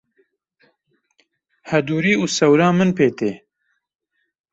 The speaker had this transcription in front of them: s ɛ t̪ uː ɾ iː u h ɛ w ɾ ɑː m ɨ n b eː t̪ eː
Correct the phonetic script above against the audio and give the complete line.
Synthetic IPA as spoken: h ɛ d̪ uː ɾ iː u s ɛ w ɾ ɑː m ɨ n p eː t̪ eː